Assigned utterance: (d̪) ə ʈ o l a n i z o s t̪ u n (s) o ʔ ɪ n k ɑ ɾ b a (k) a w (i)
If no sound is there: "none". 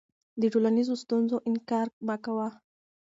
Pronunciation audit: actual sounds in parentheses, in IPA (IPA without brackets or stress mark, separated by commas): d̪, z, k, a